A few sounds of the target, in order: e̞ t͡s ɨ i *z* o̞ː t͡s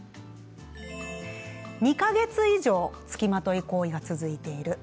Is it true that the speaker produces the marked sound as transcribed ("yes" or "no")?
no